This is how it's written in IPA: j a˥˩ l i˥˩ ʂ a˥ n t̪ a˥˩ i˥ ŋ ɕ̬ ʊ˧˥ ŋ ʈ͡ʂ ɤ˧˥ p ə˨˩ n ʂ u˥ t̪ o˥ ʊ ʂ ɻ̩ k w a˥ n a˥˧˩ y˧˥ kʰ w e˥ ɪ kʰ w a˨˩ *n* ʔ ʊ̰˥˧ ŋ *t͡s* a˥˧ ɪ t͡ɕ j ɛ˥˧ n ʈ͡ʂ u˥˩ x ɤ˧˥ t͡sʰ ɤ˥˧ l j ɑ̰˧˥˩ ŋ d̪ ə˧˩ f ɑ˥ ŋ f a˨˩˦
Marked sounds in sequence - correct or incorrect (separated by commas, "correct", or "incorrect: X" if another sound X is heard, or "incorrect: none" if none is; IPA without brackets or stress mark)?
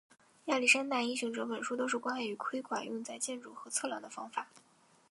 correct, correct